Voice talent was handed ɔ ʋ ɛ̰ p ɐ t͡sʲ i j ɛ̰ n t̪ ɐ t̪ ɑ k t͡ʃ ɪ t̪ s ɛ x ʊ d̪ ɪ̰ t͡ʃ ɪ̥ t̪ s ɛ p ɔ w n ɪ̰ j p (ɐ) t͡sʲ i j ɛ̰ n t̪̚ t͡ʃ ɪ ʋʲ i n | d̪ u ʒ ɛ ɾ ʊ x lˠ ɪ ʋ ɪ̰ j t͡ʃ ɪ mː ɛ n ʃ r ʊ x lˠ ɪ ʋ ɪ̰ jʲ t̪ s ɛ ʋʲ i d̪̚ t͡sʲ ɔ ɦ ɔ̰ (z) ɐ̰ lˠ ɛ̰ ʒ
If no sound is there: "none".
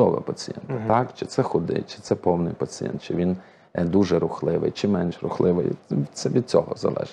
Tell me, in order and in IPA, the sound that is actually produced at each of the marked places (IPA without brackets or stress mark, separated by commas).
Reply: ɐ, z